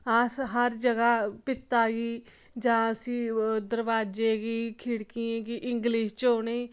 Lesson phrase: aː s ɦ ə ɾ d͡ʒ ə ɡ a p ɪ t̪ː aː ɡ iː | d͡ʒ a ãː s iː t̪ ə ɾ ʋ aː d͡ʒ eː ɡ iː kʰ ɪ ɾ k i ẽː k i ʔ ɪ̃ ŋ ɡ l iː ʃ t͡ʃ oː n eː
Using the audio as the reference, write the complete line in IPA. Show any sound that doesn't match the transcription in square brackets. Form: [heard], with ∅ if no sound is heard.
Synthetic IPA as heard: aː s ɦ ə ɾ d͡ʒ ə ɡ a p ɪ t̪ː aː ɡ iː | d͡ʒ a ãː s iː [d̪] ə ɾ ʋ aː d͡ʒ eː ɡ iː kʰ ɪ [ɽ] k i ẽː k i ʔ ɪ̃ ŋ ɡ l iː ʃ t͡ʃ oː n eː

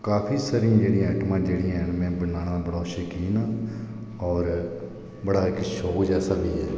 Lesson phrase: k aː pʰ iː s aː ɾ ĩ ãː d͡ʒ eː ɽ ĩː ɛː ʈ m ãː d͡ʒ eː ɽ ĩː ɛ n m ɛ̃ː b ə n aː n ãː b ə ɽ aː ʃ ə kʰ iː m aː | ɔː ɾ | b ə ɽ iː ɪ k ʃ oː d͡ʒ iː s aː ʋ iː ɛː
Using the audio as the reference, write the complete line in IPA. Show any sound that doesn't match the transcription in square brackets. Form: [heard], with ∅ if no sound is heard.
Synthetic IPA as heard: k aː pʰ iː s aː ɾ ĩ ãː d͡ʒ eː ɽ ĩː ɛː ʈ m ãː d͡ʒ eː ɽ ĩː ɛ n m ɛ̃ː b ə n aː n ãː b ə ɽ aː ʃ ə [k] iː [n] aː | ɔː ɾ | b ə ɽ [aː] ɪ k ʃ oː d͡ʒ [ɛː] s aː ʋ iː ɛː

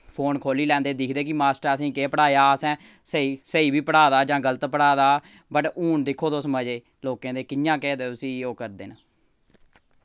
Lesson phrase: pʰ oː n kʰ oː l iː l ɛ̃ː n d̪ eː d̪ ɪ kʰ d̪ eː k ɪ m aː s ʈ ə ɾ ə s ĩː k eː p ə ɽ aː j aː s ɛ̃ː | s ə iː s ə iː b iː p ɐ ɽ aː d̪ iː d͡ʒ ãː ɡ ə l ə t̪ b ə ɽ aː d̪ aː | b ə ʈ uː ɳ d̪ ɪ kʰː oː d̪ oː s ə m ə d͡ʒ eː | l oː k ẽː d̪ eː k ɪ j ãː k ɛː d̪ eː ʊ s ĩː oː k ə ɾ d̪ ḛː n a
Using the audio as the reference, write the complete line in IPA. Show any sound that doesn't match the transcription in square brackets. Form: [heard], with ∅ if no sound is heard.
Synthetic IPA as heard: pʰ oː n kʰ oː l iː l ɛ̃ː n d̪ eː d̪ ɪ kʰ d̪ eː k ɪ m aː s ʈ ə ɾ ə s ĩː k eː p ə ɽ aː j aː s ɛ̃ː | s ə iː s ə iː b iː p [ə] ɽ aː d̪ [aː] d͡ʒ ãː ɡ ə l ə t̪ [p] ə ɽ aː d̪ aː | b ə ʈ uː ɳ d̪ ɪ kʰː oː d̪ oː s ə m ə d͡ʒ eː | l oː k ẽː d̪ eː k ɪ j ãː k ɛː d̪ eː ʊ s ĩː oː k ə ɾ d̪ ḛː n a

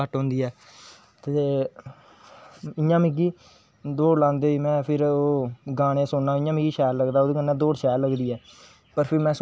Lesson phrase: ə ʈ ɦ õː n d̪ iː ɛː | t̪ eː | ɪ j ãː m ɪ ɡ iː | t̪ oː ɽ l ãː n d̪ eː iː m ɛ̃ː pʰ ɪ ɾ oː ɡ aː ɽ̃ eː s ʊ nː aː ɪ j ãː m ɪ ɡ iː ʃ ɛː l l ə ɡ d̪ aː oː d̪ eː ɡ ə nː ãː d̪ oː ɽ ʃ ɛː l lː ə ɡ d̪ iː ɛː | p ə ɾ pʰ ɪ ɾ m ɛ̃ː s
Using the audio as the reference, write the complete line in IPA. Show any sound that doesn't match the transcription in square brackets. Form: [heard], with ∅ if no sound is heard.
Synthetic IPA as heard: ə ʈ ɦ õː n d̪ iː ɛː | t̪ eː | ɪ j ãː m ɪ ɡ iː | [d̪] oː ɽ l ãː n d̪ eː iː m ɛ̃ː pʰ ɪ ɾ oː ɡ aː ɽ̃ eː s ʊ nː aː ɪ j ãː m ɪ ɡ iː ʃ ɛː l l ə ɡ d̪ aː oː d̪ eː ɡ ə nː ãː d̪ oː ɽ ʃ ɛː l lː ə ɡ d̪ iː ɛː | p ə ɾ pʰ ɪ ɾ m ɛ̃ː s

